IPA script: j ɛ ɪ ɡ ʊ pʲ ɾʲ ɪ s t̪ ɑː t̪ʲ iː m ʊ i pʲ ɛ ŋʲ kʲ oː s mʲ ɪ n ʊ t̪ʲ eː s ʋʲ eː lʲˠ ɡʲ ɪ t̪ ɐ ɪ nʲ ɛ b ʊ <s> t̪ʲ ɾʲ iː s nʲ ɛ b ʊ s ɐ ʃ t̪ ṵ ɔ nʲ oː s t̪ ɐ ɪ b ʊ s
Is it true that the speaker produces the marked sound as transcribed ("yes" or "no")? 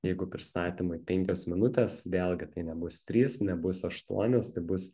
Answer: yes